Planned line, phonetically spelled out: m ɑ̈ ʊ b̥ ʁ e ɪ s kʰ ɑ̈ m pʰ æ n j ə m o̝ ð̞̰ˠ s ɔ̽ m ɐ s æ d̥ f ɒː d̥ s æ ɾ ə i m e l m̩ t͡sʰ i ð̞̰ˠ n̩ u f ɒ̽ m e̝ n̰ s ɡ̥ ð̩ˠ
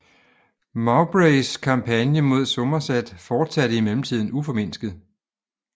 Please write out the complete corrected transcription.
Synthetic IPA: m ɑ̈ ʊ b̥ ʁ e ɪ s kʰ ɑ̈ m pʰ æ n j ə m o̝ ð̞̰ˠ s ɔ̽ m ɐ s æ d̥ f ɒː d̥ s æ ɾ ə i m e l m̩ t͡sʰ i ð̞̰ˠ n̩ u f ɒ̽ m e̝ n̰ s ɡ̥ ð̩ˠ

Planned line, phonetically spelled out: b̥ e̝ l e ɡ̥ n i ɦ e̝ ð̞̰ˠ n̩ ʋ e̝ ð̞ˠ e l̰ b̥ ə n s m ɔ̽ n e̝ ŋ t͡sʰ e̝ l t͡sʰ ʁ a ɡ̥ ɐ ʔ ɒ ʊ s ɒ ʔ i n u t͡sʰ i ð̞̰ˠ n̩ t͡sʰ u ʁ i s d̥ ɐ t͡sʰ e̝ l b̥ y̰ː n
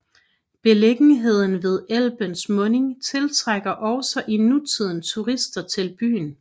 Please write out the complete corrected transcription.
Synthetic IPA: b̥ e̝ l e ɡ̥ n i ɦ e̝ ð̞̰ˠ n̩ ʋ e̝ ð̞ˠ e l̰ b̥ ə n s m ɔ̽ n e̝ ŋ t͡sʰ e̝ l t͡sʰ ʁ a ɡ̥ ɐ ʔ ɒ ʊ s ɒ ʔ i n u t͡sʰ i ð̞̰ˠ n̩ t͡sʰ u ʁ i s d̥ ɐ t͡sʰ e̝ l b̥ y̰ː n

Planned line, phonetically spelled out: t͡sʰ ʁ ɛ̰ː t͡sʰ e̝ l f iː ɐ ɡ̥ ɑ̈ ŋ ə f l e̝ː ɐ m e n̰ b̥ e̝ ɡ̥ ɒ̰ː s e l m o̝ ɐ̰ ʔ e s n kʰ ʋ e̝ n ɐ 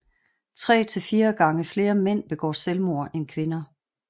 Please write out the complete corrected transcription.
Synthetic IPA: t͡sʰ ʁ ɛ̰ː t͡sʰ e̝ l f iː ɐ ɡ̥ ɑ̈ ŋ ə f l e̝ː ɐ m e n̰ b̥ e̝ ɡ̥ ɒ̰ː s e l m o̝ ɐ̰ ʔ e n kʰ ʋ e̝ n ɐ

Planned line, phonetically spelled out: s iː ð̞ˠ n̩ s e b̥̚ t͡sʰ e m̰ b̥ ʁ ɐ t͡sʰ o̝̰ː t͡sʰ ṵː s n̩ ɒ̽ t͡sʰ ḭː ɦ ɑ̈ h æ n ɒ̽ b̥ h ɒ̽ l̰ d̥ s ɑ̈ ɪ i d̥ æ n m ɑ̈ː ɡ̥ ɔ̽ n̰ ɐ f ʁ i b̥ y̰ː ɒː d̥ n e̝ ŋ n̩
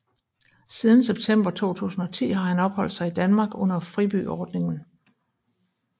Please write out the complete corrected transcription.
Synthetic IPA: s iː ð̞ˠ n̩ s e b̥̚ t͡sʰ e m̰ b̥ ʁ ɐ t͡sʰ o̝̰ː t͡sʰ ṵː s n̩ ɒ̽ t͡sʰ ḭː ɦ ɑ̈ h æ n ɒ̽ b̥ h ɒ̽ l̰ d̥ s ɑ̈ ɪ i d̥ æ n m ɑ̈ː ɡ̥ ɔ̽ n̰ ɐ f ʁ i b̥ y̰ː ɒː d̥ n e̝ ŋ n̩

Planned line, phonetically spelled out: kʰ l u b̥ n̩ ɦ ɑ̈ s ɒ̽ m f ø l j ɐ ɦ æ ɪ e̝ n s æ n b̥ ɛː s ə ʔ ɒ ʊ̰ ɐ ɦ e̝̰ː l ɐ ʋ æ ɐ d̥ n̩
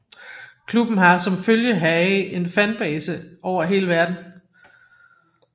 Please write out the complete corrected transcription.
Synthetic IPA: kʰ l u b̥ n̩ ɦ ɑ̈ s ɒ̽ m f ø l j ə ɦ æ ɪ e̝ n f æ n b̥ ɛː s ə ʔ ɒ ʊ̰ ɐ ɦ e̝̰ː l ə ʋ æ ɐ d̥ n̩

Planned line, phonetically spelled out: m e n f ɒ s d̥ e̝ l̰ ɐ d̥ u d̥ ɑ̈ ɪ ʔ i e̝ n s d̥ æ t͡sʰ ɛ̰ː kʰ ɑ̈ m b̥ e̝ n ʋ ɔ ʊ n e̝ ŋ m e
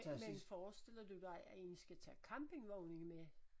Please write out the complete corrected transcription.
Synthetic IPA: m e n f ɒː s d̥ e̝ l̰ ɐ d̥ u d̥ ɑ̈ ɪ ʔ æ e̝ n s ɡ̥ æ t͡sʰ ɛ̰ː kʰ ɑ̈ m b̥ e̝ ŋ ʋ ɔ ʊ n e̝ ŋ m e

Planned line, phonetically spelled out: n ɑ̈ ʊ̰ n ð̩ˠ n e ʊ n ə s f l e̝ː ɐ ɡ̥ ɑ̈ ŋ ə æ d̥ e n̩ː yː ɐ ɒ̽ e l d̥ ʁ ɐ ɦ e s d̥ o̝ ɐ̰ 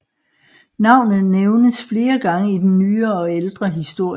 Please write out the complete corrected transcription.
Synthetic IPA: n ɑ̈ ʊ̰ n ð̩ˠ n e ʊ n ə s f l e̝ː ɐ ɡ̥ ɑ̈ ŋ ə i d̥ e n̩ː yː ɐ ɒ̽ e l d̥ ʁ ɐ ɦ i s d̥ o̝ ɐ̰

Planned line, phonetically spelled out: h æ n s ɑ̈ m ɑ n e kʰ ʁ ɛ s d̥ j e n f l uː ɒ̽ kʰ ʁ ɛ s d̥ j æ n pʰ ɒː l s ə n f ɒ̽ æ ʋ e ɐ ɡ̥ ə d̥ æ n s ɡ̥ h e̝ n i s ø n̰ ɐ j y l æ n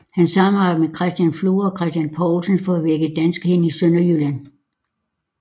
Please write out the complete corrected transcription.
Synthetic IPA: h æ n s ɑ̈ m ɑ m e kʰ ʁ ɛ s d̥ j æ n f l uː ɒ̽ kʰ ʁ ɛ s d̥ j æ n pʰ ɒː l s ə n f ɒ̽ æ ʋ e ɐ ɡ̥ ə d̥ æ n s ɡ̥ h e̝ n i s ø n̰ ɐ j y l æ n

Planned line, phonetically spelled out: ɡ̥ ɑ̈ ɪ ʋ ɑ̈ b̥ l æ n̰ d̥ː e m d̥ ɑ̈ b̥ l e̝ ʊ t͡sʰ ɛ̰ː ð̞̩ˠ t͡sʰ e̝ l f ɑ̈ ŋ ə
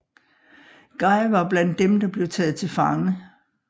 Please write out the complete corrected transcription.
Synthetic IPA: ɡ̥ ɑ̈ ɪ ʋ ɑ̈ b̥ l æ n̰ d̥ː e m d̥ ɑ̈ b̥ l e̝ ʊ t͡sʰ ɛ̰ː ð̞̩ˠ t͡sʰ e̝ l f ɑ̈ ŋ ə

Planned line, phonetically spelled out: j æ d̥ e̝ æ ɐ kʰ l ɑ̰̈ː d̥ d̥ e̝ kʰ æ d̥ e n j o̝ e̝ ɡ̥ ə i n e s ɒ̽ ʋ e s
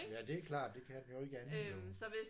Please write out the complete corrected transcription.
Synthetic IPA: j æ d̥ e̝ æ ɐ kʰ l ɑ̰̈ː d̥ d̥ e̝ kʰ æ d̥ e n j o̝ e̝ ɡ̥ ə æ n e s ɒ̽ ʋ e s

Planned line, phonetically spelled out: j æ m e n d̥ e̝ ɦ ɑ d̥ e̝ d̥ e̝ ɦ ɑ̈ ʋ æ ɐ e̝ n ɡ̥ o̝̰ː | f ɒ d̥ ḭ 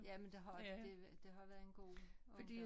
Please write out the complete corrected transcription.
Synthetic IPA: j æ m e n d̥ e̝ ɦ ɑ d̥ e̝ d̥ e̝ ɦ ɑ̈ ʋ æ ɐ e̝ n ɡ̥ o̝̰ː | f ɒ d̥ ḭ

